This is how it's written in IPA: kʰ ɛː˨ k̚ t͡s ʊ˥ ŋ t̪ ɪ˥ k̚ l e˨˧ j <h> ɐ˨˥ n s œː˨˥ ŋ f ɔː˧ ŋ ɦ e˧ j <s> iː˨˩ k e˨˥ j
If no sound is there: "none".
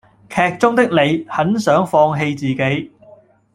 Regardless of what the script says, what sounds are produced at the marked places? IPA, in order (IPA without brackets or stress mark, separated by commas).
h, t͡s